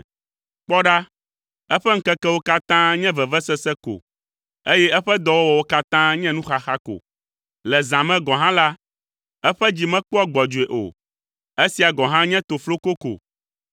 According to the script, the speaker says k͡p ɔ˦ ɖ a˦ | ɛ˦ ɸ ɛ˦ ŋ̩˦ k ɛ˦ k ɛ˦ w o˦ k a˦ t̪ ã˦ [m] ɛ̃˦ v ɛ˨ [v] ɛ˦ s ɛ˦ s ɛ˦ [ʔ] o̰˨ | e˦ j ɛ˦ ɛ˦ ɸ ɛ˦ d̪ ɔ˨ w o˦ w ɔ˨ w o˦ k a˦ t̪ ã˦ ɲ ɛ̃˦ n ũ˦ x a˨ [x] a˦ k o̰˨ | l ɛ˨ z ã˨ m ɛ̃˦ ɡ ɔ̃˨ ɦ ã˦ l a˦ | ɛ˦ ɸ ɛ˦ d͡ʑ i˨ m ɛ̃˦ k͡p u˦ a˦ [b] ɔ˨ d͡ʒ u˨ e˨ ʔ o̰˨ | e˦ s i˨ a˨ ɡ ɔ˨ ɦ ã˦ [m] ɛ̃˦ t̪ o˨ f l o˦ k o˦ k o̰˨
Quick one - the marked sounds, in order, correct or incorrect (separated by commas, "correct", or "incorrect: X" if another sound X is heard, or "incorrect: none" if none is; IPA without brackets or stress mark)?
incorrect: ɲ, correct, incorrect: k, correct, incorrect: ɡ͡b, incorrect: ɲ